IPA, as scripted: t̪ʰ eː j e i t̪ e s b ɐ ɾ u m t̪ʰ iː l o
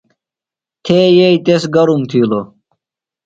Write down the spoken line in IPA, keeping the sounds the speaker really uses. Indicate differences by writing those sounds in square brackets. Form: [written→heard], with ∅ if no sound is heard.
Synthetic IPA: t̪ʰ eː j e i t̪ e s [b→ɡ] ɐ ɾ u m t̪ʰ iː l o